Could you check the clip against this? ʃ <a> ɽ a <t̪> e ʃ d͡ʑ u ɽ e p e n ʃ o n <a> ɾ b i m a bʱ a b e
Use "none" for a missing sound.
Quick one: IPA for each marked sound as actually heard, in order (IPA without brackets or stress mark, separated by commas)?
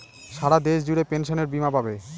a, d̪, e